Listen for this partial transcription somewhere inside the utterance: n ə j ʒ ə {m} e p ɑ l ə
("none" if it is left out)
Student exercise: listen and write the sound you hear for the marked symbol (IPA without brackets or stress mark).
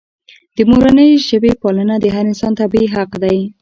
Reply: b